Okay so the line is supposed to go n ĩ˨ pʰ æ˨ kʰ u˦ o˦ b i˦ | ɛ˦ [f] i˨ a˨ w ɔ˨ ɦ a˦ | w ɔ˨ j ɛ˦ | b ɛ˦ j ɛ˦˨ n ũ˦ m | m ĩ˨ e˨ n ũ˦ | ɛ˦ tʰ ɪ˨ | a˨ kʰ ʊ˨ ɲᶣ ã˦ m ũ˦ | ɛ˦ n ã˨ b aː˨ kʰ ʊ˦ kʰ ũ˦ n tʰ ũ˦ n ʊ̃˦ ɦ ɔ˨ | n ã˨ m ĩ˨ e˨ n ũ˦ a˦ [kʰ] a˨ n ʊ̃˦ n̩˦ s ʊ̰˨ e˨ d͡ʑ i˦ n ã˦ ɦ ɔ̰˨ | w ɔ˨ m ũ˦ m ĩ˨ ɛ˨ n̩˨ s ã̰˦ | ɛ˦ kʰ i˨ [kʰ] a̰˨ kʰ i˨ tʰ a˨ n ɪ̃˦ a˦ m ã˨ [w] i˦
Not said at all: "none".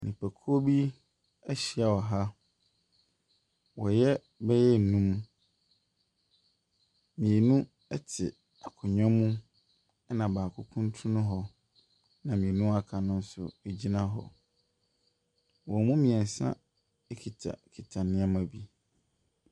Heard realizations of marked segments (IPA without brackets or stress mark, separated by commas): ɕ, kʰ, tʰ, b